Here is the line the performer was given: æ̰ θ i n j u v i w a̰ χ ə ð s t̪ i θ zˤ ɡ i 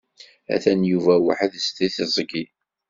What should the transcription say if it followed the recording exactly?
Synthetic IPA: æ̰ θ æ n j u v æ w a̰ ħ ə ð s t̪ i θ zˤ ɡ i